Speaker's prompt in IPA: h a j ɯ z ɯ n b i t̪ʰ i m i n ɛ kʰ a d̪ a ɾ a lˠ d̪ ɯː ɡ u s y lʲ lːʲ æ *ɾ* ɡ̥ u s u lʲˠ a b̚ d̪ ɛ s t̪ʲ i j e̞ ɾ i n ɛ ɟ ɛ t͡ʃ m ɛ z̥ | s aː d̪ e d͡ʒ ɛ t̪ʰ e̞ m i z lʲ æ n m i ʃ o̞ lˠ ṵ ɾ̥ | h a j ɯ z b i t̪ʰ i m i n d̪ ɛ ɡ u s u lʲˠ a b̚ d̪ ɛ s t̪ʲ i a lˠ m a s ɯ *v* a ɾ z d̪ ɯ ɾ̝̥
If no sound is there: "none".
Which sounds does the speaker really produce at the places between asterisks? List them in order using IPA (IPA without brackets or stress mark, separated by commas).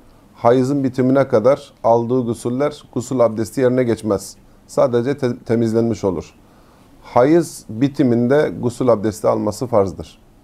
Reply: ɾ, f